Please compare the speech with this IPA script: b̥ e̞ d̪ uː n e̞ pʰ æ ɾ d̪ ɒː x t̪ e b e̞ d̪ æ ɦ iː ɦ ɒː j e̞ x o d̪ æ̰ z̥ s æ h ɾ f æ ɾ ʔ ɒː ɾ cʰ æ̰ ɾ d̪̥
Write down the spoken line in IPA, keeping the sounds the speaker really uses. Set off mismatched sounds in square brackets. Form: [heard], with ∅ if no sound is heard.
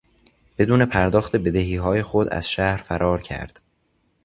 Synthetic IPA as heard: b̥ e̞ d̪ uː n e̞ pʰ æ ɾ d̪ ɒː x t̪ e b e̞ d̪ [e] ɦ iː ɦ ɒː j e̞ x o d̪ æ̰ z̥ [ʃ] æ h ɾ f æ ɾ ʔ ɒː ɾ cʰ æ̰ ɾ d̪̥